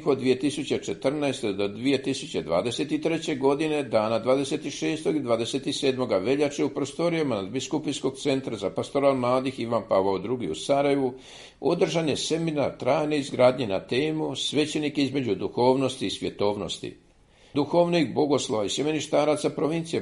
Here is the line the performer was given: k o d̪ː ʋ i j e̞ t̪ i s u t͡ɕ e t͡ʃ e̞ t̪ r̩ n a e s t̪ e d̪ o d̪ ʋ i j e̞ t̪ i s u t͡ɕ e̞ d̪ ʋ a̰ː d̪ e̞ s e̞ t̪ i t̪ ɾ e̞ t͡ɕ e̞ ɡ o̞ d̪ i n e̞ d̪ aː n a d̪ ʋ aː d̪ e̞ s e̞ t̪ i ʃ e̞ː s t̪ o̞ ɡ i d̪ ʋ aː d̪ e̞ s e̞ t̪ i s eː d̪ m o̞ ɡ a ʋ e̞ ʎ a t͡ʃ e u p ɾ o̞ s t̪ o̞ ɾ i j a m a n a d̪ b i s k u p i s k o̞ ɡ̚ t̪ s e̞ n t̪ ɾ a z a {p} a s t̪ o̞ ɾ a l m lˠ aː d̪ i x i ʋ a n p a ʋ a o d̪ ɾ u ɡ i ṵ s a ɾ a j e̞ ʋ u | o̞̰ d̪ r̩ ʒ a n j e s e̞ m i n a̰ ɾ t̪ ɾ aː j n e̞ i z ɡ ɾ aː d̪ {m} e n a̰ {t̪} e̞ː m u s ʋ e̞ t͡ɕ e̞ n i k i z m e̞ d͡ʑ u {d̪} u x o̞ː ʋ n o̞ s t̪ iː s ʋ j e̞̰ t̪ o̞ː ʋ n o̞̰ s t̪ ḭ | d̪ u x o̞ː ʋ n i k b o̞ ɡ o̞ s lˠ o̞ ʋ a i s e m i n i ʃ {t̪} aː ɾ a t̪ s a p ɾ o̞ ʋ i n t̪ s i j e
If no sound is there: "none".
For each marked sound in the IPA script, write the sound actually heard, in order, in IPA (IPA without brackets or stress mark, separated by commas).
p, ɲ, t̪, d̪, t̪